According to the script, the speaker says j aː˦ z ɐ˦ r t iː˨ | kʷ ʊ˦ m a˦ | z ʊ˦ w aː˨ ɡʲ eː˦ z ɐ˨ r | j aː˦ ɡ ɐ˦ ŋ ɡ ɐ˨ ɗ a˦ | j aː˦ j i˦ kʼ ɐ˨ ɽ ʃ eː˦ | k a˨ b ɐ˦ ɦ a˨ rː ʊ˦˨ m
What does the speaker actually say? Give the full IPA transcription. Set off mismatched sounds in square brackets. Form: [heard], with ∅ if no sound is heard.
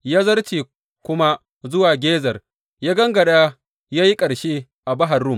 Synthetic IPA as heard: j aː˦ z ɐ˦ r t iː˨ | kʷ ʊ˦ m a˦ | z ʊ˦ w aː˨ ɡʲ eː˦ z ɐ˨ r | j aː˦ ɡ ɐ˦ ŋ ɡ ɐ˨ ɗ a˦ | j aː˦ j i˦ kʼ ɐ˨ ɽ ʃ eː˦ | [ʔ] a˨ b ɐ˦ ɦ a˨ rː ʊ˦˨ m

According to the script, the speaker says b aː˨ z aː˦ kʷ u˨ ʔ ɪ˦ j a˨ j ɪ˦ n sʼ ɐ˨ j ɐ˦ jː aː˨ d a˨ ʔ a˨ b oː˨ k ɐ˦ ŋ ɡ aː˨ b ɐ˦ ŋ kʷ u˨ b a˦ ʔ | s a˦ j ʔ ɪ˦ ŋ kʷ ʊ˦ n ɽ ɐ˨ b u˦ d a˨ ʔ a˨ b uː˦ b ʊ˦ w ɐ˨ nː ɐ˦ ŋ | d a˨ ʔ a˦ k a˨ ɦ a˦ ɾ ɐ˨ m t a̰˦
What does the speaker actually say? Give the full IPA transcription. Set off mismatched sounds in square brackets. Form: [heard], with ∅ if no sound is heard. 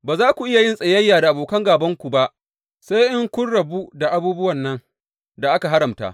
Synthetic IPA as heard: b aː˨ z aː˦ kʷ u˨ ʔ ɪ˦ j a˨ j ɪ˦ n sʼ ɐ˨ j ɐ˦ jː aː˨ d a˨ ʔ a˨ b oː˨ k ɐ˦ ŋ ɡ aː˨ b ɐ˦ ŋ kʷ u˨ b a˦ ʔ | s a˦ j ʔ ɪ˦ ŋ kʷ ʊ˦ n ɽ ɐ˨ b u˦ d a˨ ʔ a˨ b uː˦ b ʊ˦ w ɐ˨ nː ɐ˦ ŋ | d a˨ ʔ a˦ k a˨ ɦ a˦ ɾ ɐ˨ m t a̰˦

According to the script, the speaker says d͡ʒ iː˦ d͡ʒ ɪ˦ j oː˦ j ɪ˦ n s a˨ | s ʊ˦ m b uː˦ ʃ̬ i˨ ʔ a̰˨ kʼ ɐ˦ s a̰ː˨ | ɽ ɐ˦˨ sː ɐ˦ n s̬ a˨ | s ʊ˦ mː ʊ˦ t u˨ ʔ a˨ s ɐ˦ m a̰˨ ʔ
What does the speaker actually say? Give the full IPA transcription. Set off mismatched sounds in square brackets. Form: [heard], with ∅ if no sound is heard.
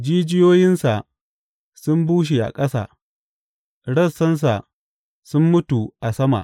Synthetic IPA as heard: d͡ʒ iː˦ d͡ʒ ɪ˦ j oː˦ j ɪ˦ n s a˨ | s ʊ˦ m b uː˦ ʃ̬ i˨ ʔ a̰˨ kʼ ɐ˦ s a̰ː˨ | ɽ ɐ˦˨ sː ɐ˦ n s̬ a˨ | s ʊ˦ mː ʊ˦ t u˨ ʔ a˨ s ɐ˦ m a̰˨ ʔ

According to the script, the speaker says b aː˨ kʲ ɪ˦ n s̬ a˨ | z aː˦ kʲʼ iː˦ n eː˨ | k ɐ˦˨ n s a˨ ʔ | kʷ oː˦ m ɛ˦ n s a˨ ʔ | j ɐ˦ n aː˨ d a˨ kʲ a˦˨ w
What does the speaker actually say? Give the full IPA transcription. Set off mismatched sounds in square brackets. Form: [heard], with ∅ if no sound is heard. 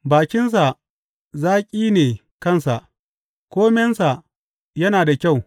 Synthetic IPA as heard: b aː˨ kʲ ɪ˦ n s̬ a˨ | z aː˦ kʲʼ iː˦ n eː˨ | k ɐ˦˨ n s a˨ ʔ | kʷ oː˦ m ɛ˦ n s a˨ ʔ | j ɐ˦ n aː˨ d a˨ kʲ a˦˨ w

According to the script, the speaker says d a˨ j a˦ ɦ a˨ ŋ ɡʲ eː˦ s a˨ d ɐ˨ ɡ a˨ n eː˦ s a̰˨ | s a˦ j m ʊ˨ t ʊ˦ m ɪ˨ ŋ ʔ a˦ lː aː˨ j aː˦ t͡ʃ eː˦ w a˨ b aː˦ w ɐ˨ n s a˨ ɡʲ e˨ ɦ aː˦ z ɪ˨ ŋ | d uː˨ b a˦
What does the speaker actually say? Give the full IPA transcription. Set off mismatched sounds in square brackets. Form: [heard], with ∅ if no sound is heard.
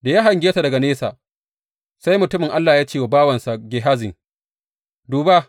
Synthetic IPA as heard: d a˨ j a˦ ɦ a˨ ŋ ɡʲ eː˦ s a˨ d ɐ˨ ɡ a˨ n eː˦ s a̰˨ | s a˦ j m ʊ˨ t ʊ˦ m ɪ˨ ŋ ʔ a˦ lː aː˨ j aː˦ t͡ʃ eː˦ w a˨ b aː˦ w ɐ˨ n s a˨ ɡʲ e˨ ɦ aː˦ z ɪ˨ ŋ | d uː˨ b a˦

